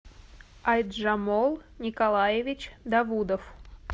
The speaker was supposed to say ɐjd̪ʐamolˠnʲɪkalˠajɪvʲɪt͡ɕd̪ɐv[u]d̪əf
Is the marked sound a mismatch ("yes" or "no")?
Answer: no